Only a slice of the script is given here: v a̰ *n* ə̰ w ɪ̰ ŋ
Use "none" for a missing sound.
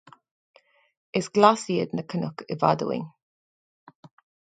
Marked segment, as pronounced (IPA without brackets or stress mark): d